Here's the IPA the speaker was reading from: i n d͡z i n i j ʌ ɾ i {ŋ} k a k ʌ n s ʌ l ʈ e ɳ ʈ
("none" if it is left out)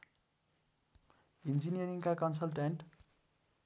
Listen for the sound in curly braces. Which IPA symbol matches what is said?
ŋ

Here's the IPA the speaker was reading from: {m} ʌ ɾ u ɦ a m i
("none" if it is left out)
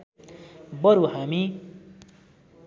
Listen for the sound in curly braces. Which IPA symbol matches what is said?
b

